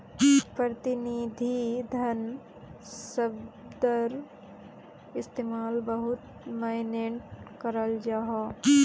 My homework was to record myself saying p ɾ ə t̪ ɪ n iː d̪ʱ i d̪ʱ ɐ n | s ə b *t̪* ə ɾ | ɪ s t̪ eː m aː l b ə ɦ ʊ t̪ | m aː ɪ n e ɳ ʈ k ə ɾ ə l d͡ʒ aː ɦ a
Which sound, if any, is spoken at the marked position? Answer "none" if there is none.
d̪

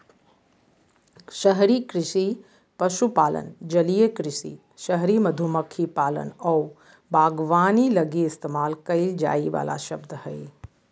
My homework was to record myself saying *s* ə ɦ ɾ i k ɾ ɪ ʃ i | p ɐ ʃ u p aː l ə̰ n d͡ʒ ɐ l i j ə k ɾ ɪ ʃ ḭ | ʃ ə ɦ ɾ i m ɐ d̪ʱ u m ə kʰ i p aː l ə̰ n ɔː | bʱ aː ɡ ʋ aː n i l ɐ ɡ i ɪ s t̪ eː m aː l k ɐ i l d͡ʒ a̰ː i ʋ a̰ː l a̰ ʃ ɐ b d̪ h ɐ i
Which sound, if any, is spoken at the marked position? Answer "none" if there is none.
ʃ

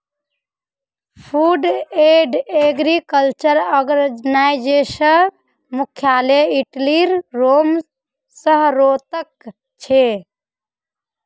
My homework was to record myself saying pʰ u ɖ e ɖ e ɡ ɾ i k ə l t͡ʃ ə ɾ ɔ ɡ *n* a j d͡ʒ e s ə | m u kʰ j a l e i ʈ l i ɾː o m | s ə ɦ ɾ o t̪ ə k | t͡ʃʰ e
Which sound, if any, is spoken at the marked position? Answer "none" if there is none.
n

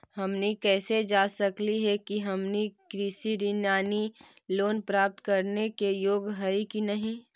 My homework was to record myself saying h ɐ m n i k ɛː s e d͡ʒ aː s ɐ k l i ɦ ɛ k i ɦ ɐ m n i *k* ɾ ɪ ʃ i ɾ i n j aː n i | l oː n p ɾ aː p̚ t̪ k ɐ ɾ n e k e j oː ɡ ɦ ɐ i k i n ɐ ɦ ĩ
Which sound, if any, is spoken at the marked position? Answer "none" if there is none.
k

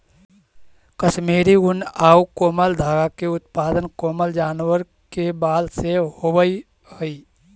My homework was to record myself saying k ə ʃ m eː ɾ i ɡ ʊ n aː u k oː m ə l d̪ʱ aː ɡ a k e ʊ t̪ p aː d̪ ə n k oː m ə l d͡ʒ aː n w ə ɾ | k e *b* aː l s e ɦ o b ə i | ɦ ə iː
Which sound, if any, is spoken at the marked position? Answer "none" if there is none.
b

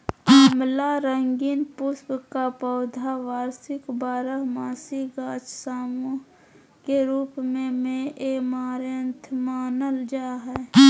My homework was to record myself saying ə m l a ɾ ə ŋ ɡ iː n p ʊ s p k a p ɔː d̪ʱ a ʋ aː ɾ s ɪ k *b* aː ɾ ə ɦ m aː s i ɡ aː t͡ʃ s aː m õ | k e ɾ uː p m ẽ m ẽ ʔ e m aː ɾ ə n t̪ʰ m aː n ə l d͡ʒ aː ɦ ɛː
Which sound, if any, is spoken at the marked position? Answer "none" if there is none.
b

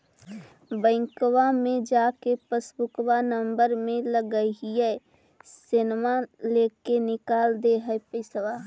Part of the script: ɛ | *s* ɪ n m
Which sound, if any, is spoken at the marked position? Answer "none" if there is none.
s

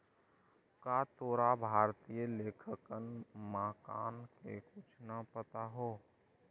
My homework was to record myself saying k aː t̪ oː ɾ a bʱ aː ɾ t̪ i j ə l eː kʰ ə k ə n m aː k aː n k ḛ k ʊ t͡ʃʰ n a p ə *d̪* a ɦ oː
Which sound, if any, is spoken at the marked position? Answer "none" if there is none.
t̪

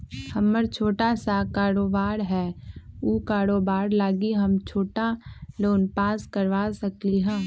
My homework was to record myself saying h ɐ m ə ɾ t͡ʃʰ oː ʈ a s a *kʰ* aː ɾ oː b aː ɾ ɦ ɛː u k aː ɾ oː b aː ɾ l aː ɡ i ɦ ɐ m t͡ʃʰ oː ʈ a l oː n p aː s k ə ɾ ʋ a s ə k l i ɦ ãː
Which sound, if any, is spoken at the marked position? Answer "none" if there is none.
k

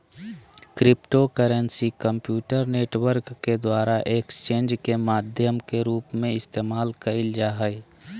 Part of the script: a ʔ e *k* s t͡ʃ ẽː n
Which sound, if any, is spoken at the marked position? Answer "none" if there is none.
k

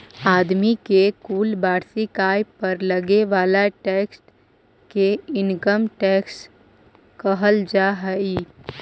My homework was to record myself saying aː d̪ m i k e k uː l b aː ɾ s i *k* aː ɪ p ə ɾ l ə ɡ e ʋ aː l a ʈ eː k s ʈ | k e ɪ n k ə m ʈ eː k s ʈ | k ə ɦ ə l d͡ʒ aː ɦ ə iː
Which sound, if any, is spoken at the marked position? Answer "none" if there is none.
k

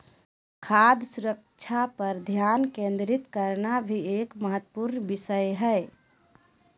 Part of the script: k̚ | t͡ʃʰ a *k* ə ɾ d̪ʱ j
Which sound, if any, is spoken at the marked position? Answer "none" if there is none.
p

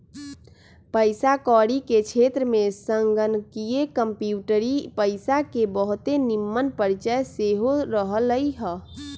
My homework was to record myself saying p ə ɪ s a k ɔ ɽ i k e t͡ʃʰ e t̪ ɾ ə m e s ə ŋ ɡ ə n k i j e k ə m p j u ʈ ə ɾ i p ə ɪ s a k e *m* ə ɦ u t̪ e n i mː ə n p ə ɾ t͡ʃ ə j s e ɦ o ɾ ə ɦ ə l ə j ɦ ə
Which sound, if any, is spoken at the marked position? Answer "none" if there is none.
b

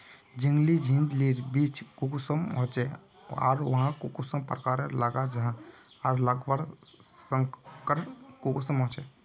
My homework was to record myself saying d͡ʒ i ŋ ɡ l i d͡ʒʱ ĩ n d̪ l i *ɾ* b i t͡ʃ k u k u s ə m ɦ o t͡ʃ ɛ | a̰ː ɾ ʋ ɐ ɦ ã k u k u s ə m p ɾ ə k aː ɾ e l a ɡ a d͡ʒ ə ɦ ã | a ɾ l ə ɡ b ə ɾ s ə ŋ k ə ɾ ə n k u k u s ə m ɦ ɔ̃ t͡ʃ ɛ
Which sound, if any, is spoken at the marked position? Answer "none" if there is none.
ɾ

